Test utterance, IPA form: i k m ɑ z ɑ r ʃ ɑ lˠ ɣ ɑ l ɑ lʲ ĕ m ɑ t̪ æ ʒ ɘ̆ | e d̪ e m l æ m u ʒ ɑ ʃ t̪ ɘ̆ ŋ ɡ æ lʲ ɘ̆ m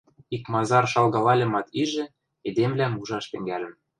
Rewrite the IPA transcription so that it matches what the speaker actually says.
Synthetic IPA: i k m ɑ z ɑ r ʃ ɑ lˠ ɣ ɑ l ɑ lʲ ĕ m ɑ t̪ i ʒ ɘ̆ | e d̪ e m l æ m u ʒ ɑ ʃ t̪ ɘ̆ ŋ ɡ æ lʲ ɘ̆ m